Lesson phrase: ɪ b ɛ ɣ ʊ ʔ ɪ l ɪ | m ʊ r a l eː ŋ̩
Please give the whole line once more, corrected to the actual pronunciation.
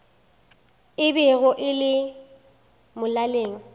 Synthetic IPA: ɪ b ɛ ɣ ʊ ʔ ɪ l ɪ | m ʊ l a l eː ŋ̩

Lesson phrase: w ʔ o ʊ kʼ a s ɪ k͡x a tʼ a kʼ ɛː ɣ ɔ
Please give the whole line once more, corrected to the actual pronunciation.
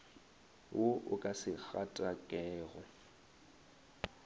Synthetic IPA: w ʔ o ʊ kʼ a s ɪ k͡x a tʼ a kʼ ɛː ɣ ɔ

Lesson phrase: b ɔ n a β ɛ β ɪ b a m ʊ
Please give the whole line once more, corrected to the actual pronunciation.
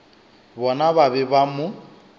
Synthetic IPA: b ɔ n a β a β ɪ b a m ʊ

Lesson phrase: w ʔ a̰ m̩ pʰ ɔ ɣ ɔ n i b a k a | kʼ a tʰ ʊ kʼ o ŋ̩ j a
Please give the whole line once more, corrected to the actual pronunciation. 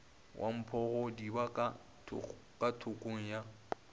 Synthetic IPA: w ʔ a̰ m̩ pʰ ɔ ɣ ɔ d i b a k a | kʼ a tʰ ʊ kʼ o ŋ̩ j a

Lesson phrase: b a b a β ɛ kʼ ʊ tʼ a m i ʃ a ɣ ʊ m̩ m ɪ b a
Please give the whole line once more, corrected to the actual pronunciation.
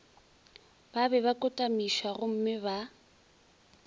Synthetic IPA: b a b ɛ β a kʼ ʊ tʼ a m i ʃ a ɣ ʊ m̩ m ɪ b a

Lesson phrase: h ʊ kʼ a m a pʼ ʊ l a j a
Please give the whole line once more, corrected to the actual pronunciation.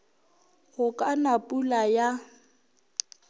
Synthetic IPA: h ʊ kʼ a n a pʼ u l a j a

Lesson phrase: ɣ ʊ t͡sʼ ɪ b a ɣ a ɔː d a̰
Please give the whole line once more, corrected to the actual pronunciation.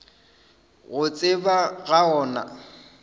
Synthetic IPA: ɣ ʊ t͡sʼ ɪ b a ɣ a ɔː n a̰

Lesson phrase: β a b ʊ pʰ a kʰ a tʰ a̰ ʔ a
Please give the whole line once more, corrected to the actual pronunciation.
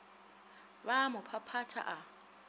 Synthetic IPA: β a m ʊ pʰ a pʰ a tʰ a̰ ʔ a

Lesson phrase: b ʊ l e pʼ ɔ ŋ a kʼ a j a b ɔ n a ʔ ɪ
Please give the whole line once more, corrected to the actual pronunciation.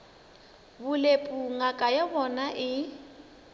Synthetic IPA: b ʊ l e pʼ u ŋ a kʼ a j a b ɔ n a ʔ ɪ

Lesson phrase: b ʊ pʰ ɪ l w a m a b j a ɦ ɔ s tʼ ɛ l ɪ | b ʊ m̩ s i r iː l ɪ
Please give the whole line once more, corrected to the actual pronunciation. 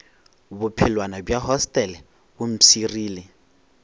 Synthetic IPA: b ʊ pʰ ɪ l w a n a b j a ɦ ɔ s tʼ ɛ l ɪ | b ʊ m̩ s i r iː l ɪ

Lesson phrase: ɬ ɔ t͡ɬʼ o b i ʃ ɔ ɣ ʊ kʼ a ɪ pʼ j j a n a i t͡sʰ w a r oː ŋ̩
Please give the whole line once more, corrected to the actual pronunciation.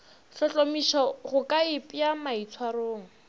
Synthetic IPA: ɬ ɔ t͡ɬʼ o m i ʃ ɔ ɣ ʊ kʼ a ɪ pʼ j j a m a i t͡sʰ w a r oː ŋ̩

